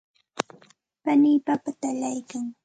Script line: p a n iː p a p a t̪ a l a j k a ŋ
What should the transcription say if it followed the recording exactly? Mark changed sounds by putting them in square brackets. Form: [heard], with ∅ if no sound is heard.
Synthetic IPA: p a n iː p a p a t̪ a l a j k a ŋ